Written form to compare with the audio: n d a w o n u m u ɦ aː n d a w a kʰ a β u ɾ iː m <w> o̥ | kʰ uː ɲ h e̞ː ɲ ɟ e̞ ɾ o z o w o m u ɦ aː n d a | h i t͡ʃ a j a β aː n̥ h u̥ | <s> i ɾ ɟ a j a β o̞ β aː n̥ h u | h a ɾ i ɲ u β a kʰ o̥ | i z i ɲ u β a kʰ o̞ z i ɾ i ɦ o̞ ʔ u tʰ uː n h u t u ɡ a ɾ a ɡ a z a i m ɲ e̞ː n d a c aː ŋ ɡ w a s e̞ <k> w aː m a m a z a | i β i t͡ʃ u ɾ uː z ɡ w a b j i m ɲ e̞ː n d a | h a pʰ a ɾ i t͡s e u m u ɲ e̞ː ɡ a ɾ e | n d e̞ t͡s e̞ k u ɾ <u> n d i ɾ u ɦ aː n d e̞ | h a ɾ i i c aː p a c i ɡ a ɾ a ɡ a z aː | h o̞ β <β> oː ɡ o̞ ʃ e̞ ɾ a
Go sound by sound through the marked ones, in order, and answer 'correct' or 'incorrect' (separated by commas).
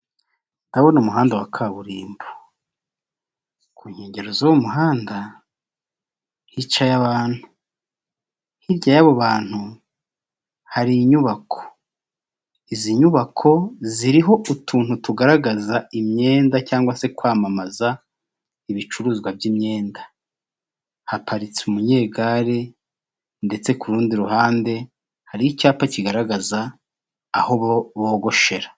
incorrect, incorrect, correct, incorrect, correct